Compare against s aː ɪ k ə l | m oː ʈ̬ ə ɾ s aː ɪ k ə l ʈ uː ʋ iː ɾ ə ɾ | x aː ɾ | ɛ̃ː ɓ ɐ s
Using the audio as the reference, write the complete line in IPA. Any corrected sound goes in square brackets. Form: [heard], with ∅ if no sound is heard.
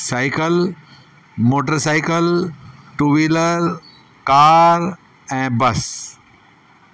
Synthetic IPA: s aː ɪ k ə l | m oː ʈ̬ ə ɾ s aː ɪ k ə l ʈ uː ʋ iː [l] ə ɾ | [k] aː ɾ | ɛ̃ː [b] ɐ s

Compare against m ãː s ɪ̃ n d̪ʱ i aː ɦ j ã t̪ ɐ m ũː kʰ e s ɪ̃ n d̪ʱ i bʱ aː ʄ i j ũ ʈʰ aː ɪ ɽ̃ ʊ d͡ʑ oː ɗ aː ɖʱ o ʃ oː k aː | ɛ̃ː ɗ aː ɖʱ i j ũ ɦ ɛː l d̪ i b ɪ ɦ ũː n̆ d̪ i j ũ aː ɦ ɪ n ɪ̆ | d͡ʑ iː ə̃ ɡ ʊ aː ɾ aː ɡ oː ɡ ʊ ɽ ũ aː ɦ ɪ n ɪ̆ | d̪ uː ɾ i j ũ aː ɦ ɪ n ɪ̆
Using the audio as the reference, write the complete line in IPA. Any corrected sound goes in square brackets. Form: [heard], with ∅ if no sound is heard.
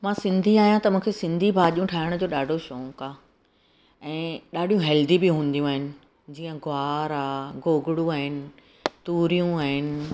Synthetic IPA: m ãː s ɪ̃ n d̪ʱ i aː ɦ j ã t̪ ɐ m ũː kʰ e s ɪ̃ n d̪ʱ i bʱ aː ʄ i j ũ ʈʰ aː ɪ ɽ̃ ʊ d͡ʑ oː ɗ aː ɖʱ o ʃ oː k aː | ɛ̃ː ɗ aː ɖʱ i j ũ ɦ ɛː l d̪ i b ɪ ɦ ũː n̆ d̪ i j ũ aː ɦ ɪ n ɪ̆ | d͡ʑ iː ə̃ ɡ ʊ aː ɾ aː ɡ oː ɡ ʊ ɽ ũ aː ɦ ɪ n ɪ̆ | [t̪] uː ɾ i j ũ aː ɦ ɪ n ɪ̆

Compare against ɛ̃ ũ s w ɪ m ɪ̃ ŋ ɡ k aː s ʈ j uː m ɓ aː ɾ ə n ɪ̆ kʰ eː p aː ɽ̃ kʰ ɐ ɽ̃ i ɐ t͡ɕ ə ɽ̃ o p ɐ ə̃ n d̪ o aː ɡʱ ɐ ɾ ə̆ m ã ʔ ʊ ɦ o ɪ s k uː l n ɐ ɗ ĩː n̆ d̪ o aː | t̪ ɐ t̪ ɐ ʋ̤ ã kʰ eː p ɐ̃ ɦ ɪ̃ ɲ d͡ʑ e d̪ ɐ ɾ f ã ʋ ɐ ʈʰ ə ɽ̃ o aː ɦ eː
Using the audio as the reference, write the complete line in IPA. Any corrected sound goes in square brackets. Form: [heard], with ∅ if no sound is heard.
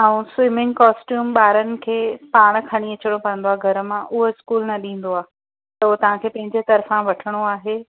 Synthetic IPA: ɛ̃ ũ s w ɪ m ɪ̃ ŋ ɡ k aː s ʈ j uː m ɓ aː ɾ ə n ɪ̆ kʰ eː p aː ɽ̃ kʰ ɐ ɽ̃ i ɐ t͡ɕ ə ɽ̃ o p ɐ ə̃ n d̪ o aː ɡʱ ɐ ɾ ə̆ m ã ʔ ʊ ɦ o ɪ s k uː l n ɐ ɗ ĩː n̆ d̪ o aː | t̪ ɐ t̪ ɐ ʋ̤ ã kʰ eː p ɐ̃ ɦ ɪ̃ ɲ d͡ʑ e [t̪] ɐ ɾ f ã ʋ ɐ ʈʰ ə ɽ̃ o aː ɦ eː

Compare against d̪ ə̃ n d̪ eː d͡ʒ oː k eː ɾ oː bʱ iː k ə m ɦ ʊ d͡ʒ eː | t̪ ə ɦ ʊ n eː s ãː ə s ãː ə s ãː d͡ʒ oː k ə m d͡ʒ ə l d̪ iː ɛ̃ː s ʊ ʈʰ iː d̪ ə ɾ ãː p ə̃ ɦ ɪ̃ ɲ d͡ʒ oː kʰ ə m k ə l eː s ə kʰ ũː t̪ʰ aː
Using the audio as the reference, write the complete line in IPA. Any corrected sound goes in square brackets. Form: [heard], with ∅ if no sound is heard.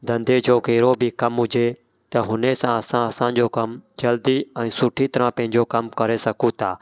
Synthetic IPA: d̪ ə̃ n d̪ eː d͡ʒ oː k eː ɾ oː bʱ iː k ə m ɦ ʊ d͡ʒ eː | t̪ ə ɦ ʊ n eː s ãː ə s ãː ə s ãː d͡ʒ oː k ə m d͡ʒ ə l d̪ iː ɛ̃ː s ʊ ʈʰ iː [t̪] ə ɾ ãː p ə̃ ɦ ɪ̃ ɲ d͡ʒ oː [k] ə m k ə [ɾ] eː s ə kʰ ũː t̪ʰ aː

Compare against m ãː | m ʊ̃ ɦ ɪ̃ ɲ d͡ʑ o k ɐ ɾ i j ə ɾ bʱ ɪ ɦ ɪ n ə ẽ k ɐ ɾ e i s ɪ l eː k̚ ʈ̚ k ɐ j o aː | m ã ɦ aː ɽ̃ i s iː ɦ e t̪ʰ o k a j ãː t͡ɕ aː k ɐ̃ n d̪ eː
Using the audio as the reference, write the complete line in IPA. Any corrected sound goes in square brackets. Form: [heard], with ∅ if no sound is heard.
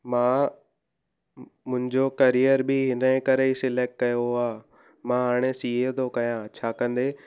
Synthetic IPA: m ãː | m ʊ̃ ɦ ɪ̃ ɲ d͡ʑ o k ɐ ɾ i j ə ɾ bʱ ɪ ɦ ɪ n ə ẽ k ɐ ɾ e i s ɪ l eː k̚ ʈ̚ k ɐ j o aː | m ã ɦ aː ɽ̃ [e] s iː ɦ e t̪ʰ o k [ɐ] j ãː [t͡ɕʰ] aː k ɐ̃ n d̪ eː

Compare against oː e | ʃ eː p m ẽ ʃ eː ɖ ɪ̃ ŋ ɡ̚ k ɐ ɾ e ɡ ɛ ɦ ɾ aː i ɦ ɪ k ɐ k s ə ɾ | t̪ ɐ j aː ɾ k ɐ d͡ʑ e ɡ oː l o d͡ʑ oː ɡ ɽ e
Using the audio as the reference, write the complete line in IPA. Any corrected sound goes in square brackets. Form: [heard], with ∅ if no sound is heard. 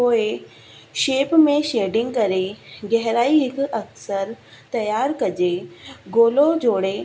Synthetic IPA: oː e | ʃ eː p m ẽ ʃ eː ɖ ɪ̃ ŋ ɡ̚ k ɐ ɾ e ɡ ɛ ɦ ɾ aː i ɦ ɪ k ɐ k s ə ɾ | t̪ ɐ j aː ɾ k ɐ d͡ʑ e ɡ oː l o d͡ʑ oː [∅] ɽ e

